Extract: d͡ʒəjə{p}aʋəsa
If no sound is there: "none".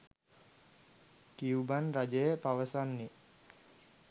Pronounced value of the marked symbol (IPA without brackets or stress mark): p